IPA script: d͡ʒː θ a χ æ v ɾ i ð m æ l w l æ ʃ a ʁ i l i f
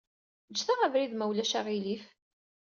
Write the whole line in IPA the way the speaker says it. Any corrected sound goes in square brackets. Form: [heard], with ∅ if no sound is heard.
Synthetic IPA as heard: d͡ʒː θ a [ʁ] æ v ɾ i ð m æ [∅] w l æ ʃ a ʁ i l i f